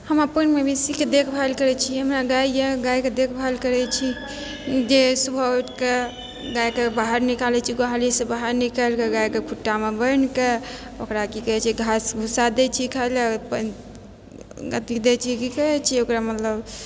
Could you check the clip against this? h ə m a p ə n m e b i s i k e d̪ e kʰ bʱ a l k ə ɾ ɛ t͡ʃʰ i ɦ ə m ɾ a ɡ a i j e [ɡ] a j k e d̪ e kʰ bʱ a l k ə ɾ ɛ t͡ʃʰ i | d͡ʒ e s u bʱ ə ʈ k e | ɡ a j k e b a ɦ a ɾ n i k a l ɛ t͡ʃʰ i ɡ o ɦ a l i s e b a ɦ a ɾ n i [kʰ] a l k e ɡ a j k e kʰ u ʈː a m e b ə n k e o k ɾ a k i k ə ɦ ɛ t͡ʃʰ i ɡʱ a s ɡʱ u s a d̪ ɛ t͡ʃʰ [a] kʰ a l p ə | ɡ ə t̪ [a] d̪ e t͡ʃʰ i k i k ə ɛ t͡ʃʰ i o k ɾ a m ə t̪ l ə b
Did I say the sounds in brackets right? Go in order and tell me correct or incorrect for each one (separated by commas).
correct, incorrect, incorrect, incorrect